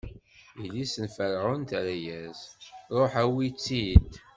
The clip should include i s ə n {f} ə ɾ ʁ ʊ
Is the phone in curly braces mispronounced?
no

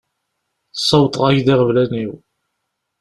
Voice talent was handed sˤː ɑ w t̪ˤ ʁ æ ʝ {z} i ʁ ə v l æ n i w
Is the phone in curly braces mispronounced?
yes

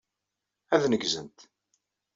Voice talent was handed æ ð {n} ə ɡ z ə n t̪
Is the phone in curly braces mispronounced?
no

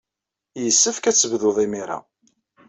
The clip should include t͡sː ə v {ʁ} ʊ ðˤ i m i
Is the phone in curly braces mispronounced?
yes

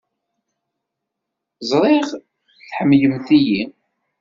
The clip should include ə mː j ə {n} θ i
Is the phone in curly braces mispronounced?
yes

